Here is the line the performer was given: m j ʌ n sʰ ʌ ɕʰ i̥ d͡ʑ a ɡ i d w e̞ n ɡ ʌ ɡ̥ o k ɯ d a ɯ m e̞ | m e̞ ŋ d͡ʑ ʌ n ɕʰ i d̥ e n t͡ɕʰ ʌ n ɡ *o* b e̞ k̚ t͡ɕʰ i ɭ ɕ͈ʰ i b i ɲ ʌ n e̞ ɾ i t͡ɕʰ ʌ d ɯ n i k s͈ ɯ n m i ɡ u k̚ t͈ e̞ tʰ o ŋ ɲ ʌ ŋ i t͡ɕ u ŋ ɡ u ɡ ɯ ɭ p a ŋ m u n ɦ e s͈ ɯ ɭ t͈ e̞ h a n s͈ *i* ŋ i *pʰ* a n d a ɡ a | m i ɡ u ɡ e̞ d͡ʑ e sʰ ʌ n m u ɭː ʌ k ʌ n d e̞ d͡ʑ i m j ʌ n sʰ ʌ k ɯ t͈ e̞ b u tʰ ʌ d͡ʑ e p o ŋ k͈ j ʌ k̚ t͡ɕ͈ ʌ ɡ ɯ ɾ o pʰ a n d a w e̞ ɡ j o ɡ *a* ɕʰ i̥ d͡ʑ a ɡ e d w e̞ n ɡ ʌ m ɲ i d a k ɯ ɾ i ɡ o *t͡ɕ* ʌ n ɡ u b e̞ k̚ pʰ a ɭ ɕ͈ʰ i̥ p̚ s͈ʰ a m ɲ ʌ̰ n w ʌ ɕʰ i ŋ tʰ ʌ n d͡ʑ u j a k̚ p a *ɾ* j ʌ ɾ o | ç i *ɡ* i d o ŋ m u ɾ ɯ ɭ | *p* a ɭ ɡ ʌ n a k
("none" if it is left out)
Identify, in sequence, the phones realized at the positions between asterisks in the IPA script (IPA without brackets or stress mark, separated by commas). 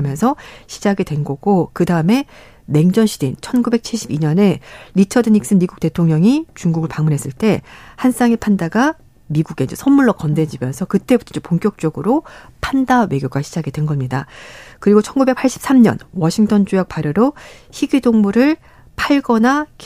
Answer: u, a, pʰ, a, t͡ɕʰ, ɾ, ɡ, pʰ